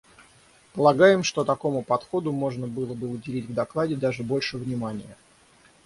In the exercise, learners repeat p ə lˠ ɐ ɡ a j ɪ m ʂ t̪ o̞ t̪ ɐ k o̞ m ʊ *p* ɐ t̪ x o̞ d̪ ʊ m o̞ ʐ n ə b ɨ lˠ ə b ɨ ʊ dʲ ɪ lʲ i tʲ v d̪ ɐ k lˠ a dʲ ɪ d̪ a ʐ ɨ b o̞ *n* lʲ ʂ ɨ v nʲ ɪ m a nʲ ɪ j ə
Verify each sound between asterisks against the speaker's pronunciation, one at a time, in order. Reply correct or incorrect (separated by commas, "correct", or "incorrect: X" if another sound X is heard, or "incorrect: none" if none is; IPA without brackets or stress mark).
correct, incorrect: none